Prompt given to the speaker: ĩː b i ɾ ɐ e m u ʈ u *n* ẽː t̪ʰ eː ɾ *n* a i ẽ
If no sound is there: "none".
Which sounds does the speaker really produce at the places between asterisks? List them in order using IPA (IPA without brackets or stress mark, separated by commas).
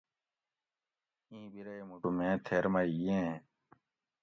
m, m